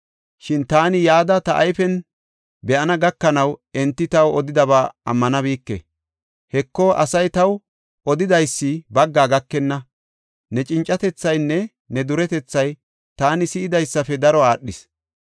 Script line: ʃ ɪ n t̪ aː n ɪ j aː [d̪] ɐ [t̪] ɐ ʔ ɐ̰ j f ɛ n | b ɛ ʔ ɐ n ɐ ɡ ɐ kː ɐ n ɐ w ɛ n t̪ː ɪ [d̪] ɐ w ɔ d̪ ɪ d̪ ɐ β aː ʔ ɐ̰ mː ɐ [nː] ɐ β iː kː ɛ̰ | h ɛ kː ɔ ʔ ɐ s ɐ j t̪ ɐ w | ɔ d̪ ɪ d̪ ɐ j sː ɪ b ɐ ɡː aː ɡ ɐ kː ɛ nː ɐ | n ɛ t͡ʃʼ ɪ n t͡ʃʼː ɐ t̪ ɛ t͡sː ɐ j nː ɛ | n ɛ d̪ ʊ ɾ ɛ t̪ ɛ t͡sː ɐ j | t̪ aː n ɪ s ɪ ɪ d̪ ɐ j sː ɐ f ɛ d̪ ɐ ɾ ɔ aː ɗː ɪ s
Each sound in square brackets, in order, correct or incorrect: correct, correct, incorrect, incorrect

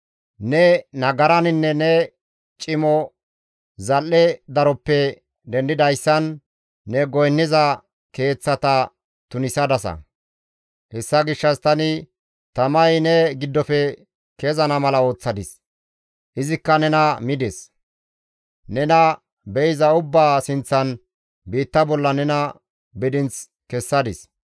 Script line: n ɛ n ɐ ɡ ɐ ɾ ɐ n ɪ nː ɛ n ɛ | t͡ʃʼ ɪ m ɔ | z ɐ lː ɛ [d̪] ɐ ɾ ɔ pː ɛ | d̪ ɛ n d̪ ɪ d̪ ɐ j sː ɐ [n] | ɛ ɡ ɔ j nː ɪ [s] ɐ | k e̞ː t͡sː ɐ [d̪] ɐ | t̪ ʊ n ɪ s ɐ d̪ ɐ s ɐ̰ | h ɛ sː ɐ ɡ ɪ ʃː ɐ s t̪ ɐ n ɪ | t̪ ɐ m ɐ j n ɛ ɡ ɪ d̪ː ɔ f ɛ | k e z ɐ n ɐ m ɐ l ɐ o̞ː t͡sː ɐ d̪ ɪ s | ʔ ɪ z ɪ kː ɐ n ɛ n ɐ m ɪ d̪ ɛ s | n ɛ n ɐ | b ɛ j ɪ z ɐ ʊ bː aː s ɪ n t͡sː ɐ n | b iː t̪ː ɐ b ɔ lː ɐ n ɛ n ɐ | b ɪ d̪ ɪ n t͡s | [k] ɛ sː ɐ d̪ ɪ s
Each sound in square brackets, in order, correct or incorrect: correct, incorrect, incorrect, incorrect, correct

